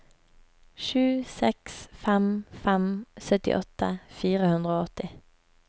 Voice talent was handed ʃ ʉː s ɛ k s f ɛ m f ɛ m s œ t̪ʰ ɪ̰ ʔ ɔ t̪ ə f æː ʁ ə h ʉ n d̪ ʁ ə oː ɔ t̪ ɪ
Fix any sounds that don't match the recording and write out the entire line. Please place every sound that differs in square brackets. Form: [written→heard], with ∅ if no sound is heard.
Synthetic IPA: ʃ ʉː s ɛ k s f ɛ m f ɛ m s œ [t̪ʰ→t̪] ɪ̰ ʔ ɔ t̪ ə f [æː→iː] ʁ ə h ʉ n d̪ ʁ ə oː ɔ t̪ ɪ